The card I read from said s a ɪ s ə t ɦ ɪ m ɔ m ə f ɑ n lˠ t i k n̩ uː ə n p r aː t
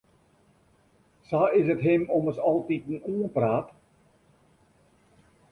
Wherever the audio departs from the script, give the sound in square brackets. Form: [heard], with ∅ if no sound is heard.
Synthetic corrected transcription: s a ɪ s ə t ɦ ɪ m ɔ m ə [s] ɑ [∅] lˠ t i [t] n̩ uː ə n p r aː t